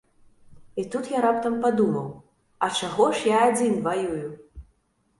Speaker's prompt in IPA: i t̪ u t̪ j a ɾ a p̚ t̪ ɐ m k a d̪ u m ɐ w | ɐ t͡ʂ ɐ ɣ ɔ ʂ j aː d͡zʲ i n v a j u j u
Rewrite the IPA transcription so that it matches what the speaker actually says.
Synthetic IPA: i t̪ u t̪ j a ɾ a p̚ t̪ ɐ m p a d̪ u m ɐ w | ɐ t͡ʂ a ɣ ɔ ʂ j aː d͡zʲ i n v a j u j u